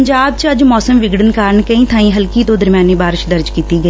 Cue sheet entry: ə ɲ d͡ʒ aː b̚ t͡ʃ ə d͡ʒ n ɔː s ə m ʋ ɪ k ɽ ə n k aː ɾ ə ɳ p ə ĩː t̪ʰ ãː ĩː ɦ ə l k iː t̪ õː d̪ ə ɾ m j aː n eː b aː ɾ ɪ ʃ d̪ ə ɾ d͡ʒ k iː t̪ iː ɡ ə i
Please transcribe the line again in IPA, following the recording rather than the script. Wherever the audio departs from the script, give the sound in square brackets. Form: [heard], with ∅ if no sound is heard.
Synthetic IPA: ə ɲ d͡ʒ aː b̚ t͡ʃ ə d͡ʒ [m] ɔː s ə m ʋ ɪ [ɡ] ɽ ə n k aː ɾ ə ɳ [k] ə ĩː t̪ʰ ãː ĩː ɦ ə l k iː t̪ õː d̪ ə ɾ m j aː n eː b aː ɾ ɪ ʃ d̪ ə ɾ d͡ʒ k iː t̪ iː ɡ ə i